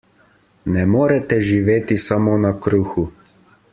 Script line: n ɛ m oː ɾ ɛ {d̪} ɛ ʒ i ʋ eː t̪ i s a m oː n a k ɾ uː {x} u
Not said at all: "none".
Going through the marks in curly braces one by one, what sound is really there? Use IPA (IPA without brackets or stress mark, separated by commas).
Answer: t̪, x